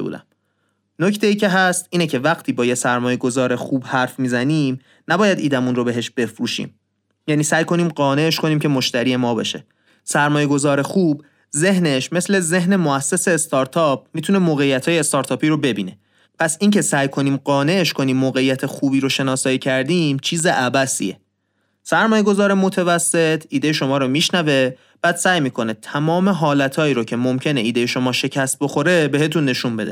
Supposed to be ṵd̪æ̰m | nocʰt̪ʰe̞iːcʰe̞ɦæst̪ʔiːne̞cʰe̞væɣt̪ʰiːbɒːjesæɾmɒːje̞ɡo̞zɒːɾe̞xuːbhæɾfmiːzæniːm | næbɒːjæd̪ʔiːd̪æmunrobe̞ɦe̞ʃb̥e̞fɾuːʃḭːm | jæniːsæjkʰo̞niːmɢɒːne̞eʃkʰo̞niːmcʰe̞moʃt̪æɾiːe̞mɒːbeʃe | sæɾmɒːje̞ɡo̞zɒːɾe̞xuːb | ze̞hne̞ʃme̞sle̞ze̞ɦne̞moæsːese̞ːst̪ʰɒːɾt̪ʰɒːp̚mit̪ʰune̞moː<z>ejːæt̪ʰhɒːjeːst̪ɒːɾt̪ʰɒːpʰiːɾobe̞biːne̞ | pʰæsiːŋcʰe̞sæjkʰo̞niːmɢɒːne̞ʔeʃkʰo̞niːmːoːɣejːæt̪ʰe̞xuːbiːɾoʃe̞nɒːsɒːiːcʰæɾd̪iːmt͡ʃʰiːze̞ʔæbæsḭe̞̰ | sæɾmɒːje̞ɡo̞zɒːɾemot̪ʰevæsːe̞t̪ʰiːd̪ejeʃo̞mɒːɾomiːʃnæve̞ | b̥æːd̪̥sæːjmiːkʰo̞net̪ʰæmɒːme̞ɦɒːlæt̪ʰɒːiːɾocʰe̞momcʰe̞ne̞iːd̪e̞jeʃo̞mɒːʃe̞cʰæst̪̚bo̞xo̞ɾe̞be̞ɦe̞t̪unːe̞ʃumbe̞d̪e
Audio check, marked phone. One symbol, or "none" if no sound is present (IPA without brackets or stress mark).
ɣ